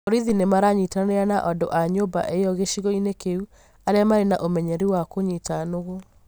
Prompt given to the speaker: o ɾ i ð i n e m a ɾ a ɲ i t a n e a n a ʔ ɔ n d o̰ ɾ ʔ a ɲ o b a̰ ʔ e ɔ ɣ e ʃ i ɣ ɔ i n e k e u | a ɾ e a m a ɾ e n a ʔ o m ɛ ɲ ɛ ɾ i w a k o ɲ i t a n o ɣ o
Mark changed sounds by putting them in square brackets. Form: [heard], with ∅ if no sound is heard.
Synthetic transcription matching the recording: o ɾ i ð i n e m a ɾ a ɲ i t a n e a n a ʔ ɔ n d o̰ [∅] ʔ a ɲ o b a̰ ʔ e ɔ ɣ e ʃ i ɣ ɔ i n e k e u | a ɾ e a m a ɾ e n a ʔ o m ɛ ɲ ɛ ɾ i w a k o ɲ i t a n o ɣ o

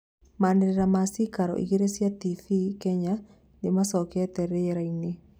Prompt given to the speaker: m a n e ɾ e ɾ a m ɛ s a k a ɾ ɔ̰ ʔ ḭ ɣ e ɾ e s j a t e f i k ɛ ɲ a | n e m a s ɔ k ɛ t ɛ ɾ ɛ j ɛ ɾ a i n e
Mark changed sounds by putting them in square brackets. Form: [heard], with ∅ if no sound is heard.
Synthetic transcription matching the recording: m a n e ɾ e ɾ a m [a] s [i] k a ɾ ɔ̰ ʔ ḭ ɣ e ɾ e s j a t [i] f i k ɛ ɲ a | n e m a s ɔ k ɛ t ɛ ɾ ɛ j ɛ ɾ a i n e

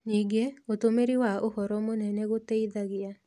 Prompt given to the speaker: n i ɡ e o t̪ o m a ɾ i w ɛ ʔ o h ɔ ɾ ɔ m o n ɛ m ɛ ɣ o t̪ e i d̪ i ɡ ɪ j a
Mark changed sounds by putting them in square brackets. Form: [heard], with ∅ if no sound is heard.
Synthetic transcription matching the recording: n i ɡ e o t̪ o m [e] ɾ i w [a] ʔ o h ɔ ɾ ɔ m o n ɛ [n] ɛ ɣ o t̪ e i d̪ [a] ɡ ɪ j a

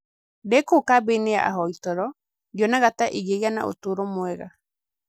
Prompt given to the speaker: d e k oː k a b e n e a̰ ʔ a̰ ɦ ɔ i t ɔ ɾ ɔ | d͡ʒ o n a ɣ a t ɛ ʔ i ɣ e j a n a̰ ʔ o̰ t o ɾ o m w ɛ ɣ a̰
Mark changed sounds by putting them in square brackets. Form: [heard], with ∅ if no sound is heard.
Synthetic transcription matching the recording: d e k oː k a b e n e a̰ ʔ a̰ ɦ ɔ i t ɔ ɾ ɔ | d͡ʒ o n a ɣ a t [a] ʔ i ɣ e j a n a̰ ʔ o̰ t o ɾ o m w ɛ ɣ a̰

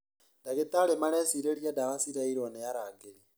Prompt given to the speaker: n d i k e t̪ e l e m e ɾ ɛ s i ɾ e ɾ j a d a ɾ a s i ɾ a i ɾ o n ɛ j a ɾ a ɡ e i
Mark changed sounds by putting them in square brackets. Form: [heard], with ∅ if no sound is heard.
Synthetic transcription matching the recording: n d [a] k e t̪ [a] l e m [a] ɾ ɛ s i ɾ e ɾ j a d a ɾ a s i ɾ a i ɾ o n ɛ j a ɾ a ɡ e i

